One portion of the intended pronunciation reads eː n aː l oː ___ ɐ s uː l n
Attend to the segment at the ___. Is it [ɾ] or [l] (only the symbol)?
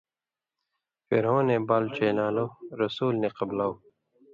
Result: ɾ